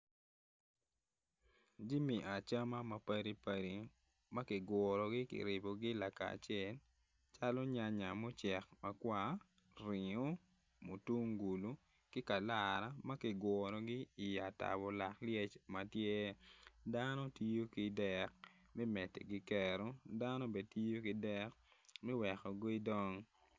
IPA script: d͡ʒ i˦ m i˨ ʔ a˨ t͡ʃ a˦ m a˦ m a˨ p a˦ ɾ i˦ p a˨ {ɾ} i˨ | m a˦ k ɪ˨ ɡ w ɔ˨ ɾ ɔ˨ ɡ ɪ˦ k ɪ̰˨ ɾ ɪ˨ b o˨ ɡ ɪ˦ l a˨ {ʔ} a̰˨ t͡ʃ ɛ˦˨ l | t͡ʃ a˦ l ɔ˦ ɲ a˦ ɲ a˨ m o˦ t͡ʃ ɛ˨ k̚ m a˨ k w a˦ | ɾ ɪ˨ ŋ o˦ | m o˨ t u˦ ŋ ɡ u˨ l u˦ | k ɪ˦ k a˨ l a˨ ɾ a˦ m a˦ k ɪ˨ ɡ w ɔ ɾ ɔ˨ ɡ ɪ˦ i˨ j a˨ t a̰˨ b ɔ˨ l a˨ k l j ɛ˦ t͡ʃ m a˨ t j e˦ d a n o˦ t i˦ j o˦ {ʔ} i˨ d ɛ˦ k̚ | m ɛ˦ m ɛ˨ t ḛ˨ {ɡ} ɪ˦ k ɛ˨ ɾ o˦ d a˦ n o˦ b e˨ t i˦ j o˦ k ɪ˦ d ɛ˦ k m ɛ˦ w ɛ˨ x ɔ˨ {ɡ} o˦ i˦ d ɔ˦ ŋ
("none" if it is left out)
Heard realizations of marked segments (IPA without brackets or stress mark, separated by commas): ɾ, k, k, ɡ, ɡ